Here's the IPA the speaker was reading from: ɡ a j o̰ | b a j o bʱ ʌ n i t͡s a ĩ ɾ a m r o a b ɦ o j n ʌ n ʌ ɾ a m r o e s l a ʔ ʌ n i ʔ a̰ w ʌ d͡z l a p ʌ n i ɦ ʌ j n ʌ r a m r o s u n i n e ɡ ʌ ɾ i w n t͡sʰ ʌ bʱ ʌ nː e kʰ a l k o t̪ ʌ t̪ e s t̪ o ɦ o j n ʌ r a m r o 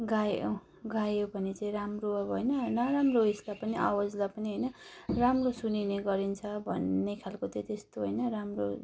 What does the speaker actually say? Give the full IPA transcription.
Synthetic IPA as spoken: ɡ a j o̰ | ɡ a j o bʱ ʌ n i t͡s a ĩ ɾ a m r o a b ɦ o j n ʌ n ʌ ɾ a m r o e s l a p ʌ n i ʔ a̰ w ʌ d͡z l a p ʌ n i ɦ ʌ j n ʌ r a m r o s u n i n e ɡ ʌ ɾ i n t͡sʰ ʌ bʱ ʌ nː e kʰ a l k o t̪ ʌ t̪ e s t̪ o ɦ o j n ʌ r a m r o